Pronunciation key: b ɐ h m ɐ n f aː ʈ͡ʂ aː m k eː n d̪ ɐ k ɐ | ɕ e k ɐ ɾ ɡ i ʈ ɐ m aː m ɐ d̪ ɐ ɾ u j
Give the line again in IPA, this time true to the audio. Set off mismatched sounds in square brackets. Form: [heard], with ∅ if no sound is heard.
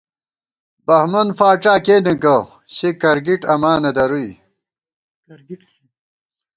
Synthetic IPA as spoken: b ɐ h m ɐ n f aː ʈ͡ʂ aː [∅] k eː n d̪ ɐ k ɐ | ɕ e k ɐ ɾ ɡ i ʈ ɐ m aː [n] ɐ d̪ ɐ ɾ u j